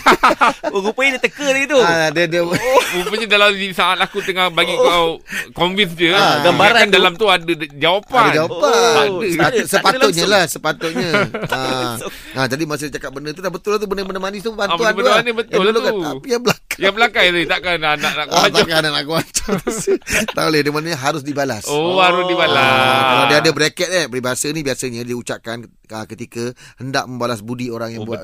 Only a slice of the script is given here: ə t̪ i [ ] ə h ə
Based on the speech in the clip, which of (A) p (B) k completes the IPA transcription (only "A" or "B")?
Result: B